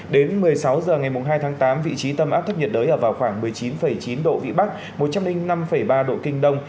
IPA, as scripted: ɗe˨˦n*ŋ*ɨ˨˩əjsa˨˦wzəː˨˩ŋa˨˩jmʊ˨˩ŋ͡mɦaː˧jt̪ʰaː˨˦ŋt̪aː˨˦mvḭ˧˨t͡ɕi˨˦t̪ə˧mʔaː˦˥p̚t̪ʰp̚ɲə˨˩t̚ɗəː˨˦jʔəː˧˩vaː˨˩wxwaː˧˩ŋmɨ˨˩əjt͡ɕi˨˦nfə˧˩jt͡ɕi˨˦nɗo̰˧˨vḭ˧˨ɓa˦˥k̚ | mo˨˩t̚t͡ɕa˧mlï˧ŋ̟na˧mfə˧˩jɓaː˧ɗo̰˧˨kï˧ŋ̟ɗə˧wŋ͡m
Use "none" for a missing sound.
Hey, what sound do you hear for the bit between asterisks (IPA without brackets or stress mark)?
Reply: m